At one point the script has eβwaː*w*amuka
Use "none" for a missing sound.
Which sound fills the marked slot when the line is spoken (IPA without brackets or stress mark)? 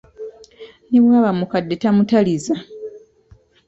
β